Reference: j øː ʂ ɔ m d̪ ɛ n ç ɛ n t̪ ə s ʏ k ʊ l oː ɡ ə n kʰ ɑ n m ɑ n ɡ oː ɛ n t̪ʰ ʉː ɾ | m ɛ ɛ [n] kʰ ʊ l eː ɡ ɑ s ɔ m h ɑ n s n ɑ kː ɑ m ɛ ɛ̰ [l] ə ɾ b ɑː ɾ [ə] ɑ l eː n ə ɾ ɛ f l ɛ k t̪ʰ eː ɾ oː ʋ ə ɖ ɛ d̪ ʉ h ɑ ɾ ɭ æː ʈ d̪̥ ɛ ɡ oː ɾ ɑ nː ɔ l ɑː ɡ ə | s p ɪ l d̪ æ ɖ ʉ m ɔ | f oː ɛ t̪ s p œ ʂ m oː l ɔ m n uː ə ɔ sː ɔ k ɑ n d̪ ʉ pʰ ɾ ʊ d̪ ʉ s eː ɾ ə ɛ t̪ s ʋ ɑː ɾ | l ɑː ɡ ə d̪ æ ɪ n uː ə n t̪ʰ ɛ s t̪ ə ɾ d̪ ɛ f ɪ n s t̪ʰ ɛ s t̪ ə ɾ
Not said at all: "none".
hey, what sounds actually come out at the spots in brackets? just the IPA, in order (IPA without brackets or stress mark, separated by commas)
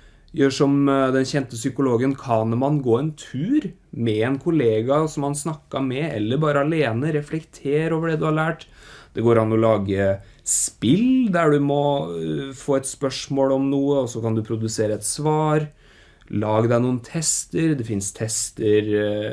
n, lː, ə